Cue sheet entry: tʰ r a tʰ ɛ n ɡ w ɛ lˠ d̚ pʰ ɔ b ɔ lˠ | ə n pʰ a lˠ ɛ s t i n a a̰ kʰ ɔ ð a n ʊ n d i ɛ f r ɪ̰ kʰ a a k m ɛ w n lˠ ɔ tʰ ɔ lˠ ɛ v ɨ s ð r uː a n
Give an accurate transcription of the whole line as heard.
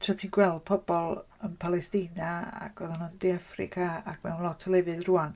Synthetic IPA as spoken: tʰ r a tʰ i n ɡ w ɛ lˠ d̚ pʰ ɔ b ɔ lˠ | ə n pʰ a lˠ ɛ s t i n a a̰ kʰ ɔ ð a n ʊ n d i a f r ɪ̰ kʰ a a k m ɛ w n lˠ ɔ tʰ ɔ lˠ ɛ v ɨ ð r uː a n